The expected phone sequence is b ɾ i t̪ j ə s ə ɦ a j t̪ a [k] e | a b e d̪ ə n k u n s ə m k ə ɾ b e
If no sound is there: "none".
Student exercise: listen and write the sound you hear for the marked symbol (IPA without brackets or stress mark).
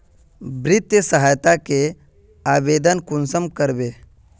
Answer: k